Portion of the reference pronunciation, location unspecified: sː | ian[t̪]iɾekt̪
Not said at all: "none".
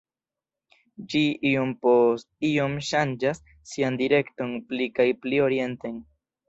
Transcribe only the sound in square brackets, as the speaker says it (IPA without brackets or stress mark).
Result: d̪